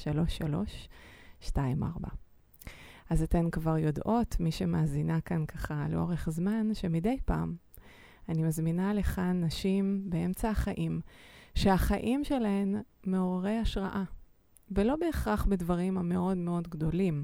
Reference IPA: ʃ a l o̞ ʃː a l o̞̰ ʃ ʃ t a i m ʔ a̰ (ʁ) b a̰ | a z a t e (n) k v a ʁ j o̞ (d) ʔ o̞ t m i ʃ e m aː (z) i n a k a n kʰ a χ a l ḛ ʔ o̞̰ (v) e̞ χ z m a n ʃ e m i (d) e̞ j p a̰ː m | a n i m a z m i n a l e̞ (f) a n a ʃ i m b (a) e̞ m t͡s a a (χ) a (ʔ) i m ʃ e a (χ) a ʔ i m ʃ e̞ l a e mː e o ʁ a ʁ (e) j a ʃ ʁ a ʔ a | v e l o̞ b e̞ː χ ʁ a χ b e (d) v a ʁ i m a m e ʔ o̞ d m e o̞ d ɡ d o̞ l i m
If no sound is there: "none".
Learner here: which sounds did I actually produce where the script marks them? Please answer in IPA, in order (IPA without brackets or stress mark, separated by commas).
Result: ʁ, n, d, z, ʁ, d, χ, e, χ, ʔ, χ, e, d